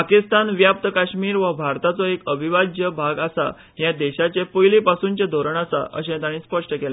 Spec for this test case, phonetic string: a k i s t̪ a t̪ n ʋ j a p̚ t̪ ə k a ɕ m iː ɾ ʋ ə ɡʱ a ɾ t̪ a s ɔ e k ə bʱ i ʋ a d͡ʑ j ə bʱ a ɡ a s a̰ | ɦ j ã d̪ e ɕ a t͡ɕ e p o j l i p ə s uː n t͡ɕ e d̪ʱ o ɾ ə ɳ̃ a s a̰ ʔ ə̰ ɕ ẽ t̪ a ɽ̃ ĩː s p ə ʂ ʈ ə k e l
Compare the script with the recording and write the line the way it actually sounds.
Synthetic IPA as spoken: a k i s t̪ a n ʋ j a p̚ t̪ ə k a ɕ m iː ɾ ʋ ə bʱ a ɾ t̪ a t͡s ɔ e k ə bʱ i ʋ a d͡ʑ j ə bʱ a ɡ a s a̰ | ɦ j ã d̪ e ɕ a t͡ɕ e p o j l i p a s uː n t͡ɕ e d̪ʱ o ɾ ə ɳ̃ a s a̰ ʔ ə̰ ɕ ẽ t̪ a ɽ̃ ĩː s p ə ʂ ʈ ə k e l